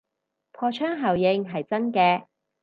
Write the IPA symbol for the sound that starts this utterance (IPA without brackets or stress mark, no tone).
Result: pʰ